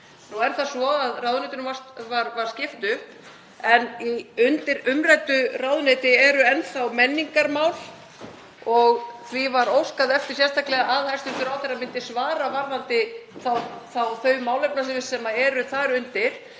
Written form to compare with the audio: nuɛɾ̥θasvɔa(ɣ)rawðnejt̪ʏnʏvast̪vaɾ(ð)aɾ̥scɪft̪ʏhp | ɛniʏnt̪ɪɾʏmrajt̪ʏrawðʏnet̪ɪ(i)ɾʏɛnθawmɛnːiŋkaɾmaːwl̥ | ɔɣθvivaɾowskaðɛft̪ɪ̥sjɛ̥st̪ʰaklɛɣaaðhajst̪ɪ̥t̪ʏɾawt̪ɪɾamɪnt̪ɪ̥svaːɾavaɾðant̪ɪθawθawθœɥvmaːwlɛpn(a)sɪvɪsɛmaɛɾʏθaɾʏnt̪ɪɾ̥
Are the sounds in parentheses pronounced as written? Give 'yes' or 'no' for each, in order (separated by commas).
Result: no, no, no, yes